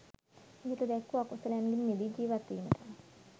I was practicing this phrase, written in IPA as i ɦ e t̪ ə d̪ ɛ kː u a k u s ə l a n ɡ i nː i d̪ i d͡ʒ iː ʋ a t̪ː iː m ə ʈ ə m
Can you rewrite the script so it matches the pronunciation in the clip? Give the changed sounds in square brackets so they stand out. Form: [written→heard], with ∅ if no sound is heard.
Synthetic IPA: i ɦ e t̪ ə d̪ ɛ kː u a k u s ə l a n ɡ i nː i d̪ i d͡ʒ iː ʋ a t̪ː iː m ə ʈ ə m